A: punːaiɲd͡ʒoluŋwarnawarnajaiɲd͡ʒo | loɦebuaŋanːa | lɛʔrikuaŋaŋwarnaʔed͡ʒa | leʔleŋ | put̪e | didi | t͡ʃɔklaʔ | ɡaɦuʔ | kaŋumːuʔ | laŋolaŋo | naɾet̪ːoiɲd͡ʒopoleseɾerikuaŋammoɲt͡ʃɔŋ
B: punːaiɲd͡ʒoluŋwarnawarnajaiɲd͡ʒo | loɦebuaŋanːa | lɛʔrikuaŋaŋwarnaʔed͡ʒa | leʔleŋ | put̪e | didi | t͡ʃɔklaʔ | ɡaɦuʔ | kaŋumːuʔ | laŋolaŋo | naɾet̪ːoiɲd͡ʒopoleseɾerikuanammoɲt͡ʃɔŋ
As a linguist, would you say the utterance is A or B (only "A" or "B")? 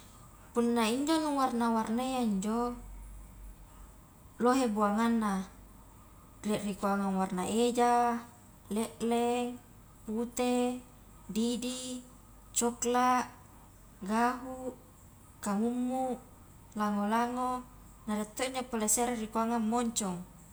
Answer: A